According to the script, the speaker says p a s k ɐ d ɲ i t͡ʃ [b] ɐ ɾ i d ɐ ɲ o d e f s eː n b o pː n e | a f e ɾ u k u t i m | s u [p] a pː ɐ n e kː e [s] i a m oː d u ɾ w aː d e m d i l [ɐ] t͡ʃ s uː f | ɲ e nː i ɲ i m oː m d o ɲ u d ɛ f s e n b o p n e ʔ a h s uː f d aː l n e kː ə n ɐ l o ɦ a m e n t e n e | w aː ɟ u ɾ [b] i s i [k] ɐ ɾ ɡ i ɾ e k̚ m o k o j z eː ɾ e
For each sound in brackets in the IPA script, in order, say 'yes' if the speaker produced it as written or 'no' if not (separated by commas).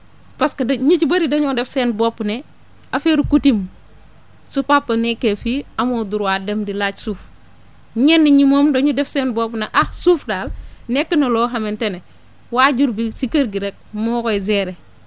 yes, yes, no, no, yes, yes